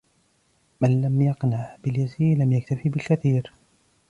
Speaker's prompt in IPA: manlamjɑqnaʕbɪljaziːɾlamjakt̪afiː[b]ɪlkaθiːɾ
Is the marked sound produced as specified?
yes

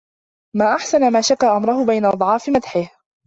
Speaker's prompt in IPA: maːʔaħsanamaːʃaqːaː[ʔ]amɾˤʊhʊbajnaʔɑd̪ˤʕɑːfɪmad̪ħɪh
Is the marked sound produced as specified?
yes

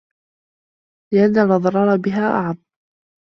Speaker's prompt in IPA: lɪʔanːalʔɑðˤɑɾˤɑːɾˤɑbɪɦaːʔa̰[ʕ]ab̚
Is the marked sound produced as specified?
yes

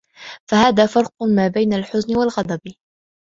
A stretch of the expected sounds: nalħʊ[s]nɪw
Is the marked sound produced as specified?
no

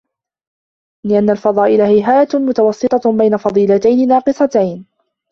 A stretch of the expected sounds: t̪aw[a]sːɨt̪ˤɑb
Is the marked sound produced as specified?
no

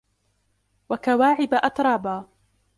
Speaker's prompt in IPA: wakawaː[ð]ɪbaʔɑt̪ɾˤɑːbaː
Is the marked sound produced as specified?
no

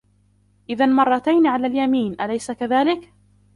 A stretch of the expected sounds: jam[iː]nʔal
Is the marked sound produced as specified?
yes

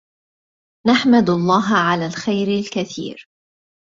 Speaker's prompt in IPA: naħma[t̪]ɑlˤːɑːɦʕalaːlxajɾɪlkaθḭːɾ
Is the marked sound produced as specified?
no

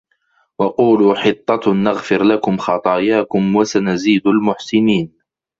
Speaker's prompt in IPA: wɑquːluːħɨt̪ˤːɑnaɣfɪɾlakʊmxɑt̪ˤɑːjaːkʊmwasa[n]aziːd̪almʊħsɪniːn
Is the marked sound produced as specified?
yes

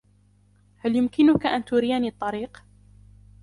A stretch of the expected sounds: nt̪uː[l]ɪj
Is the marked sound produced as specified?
no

